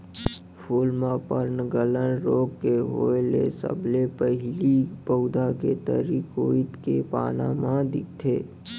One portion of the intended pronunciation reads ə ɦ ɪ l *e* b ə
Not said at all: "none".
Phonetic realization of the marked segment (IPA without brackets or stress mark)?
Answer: i